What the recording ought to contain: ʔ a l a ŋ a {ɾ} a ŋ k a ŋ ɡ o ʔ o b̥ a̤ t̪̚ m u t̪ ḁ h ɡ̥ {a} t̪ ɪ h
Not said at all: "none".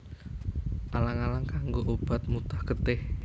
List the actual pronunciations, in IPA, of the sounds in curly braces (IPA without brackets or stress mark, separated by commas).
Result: l, ə